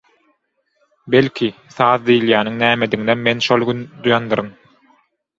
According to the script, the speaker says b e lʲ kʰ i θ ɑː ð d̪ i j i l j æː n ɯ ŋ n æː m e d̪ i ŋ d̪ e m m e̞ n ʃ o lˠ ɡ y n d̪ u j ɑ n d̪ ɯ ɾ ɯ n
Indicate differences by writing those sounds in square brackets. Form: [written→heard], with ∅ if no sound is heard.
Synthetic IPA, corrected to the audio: b e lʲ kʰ i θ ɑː ð d̪ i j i l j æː n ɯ ŋ n æː m e d̪ i ŋ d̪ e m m e̞ n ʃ o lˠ ɡ y n d̪ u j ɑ n d̪ ɯ ɾ ɯ n